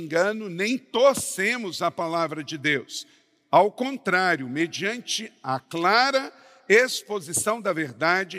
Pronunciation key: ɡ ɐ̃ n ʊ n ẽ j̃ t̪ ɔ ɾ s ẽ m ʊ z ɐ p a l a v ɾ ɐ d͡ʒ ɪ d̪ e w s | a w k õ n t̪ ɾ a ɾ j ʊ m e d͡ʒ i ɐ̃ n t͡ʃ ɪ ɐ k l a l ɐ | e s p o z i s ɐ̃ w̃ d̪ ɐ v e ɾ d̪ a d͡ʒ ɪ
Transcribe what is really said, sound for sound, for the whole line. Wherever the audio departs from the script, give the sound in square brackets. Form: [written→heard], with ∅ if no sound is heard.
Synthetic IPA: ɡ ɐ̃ n ʊ n ẽ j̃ t̪ [ɔ→o] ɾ s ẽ m ʊ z ɐ p a l a v ɾ ɐ d͡ʒ ɪ d̪ e w s | a w k õ n t̪ ɾ a ɾ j ʊ m e d͡ʒ i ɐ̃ n t͡ʃ ɪ ɐ k l a [l→ɾ] ɐ | e s p o z i s ɐ̃ w̃ d̪ ɐ v e ɾ d̪ a d͡ʒ ɪ